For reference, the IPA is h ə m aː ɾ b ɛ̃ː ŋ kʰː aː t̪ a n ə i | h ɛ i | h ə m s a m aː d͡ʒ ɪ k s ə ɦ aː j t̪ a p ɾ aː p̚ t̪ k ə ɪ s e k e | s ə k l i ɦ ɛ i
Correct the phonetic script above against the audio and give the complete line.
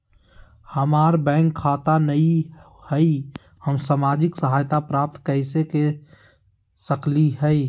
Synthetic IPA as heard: h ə m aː ɾ b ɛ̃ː ŋ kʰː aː t̪ a n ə i | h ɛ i | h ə m s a m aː d͡ʒ ɪ k s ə ɦ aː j t̪ a p ɾ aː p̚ t̪ k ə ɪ s e k e | s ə k l i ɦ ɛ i